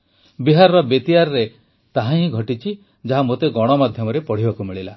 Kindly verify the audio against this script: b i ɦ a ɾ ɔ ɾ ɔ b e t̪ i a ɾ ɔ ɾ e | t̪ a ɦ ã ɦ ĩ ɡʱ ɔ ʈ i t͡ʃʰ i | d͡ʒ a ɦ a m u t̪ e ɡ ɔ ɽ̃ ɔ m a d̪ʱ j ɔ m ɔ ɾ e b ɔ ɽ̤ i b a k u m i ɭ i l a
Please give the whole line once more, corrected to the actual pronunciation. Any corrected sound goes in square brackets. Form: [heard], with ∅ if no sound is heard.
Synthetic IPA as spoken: b i ɦ a ɾ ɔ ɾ ɔ b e t̪ i a ɾ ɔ ɾ e | t̪ a ɦ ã ɦ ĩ ɡʱ ɔ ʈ i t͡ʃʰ i | d͡ʒ a ɦ a m [o] t̪ e ɡ ɔ ɽ̃ ɔ m a d̪ʱ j ɔ m ɔ ɾ e [p] ɔ ɽ̤ i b a k u m i ɭ i l a